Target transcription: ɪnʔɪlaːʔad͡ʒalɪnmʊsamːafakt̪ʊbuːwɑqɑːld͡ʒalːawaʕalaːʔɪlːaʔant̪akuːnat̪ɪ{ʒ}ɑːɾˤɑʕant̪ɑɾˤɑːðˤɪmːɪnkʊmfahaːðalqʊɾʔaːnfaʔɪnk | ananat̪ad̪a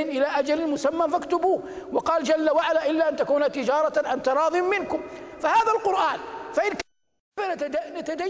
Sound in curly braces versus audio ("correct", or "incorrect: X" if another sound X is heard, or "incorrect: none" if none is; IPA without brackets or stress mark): incorrect: d͡ʒ